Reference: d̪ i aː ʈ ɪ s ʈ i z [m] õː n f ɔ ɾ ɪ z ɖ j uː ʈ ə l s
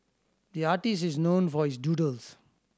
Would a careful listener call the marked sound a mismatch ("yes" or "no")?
yes